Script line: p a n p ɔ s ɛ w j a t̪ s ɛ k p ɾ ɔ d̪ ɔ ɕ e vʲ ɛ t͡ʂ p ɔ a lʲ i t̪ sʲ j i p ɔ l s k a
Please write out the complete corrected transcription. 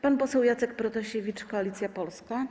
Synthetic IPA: p a n p ɔ s ɛ w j a t̪ s ɛ k p ɾ ɔ t̪ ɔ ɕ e vʲ i t͡ʂ k ɔ a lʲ i t̪ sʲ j a p ɔ l s k a